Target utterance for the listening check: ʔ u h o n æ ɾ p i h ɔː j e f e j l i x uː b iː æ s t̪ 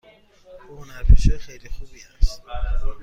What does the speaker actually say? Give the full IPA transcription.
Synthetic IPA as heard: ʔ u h o n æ ɾ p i ʃ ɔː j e x e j l i x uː b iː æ s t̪